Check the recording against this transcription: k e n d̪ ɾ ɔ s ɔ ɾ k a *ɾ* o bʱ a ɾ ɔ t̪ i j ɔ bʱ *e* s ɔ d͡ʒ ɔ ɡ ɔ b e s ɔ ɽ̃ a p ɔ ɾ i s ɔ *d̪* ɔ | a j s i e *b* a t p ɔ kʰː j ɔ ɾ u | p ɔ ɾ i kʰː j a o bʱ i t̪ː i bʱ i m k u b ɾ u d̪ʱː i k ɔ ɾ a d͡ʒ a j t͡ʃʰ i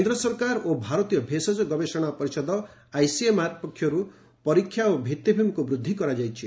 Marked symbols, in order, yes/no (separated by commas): yes, yes, yes, no